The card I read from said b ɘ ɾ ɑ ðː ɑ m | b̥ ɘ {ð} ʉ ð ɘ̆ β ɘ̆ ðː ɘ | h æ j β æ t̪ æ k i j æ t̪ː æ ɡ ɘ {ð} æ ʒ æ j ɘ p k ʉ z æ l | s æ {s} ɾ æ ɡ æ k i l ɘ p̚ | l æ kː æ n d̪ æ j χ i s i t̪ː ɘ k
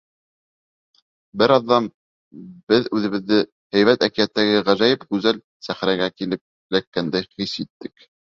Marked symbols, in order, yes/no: yes, no, no

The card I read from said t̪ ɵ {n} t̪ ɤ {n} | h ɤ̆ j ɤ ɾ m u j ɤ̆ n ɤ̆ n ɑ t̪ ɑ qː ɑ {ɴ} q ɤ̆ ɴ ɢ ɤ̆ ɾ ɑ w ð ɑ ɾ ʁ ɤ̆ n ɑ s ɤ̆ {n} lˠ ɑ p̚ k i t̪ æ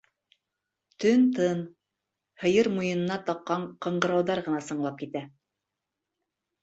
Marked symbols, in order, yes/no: yes, yes, yes, no

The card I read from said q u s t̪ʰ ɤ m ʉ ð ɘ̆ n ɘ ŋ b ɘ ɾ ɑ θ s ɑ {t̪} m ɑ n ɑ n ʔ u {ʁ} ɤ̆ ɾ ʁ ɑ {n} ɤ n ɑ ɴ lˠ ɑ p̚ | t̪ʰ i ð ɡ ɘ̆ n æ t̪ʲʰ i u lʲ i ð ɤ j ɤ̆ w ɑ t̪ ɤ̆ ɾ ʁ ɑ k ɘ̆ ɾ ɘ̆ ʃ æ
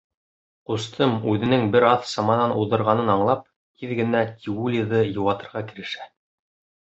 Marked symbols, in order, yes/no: no, no, yes

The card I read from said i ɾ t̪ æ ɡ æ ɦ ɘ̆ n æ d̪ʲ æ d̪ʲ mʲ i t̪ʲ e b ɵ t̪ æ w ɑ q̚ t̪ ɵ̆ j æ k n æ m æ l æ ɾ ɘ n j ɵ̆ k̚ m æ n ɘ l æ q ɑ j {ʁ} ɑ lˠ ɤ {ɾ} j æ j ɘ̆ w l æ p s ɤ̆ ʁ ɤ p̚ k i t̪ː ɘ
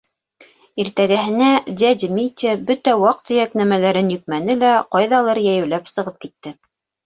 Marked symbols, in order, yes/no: no, yes

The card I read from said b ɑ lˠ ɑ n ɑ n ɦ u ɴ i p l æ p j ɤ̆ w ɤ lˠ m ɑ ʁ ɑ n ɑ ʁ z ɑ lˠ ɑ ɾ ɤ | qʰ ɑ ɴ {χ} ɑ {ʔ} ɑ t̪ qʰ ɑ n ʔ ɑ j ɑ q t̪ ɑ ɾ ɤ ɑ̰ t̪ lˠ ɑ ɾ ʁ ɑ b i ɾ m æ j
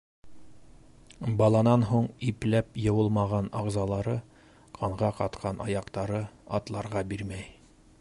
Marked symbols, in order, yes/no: no, no

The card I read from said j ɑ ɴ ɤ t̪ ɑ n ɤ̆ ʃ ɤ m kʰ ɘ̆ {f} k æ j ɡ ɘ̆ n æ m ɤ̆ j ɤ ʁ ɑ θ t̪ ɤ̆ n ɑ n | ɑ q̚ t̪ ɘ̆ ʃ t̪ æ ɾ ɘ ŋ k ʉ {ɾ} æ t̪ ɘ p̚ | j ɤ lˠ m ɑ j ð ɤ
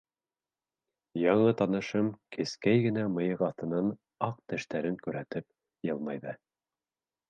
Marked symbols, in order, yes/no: no, yes

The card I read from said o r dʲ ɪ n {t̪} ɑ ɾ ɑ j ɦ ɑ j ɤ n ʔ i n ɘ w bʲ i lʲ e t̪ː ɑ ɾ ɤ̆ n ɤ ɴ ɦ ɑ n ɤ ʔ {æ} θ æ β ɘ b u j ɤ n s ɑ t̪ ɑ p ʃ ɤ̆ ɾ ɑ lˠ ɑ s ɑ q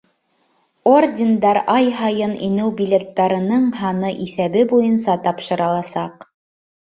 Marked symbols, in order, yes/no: no, no

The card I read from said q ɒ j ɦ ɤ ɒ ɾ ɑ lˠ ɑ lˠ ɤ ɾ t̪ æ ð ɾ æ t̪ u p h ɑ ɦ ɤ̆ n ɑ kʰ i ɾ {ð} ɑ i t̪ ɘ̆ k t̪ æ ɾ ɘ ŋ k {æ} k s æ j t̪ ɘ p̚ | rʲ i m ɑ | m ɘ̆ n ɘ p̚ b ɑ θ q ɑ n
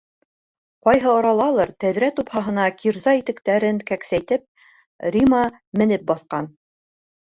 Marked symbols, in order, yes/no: no, yes

